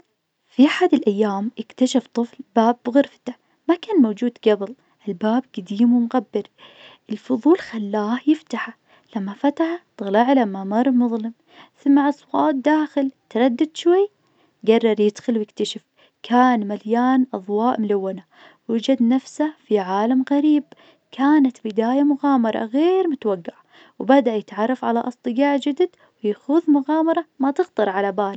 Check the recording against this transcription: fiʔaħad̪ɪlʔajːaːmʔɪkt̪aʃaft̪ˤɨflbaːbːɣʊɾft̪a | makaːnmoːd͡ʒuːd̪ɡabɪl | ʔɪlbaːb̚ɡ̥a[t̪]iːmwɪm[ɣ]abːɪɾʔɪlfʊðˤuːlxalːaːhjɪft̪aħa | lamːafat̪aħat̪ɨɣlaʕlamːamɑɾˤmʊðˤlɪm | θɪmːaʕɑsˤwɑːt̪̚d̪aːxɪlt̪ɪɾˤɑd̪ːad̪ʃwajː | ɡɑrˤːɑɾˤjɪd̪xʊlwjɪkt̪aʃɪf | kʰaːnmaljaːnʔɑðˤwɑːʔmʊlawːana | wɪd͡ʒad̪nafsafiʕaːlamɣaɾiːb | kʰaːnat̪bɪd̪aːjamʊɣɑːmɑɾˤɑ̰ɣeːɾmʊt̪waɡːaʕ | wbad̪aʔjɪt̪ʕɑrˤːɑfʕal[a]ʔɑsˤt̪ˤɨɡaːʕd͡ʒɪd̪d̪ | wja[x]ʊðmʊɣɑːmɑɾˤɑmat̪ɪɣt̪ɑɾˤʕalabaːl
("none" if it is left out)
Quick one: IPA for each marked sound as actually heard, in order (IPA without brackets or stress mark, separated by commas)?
d̪, ɣ, a, x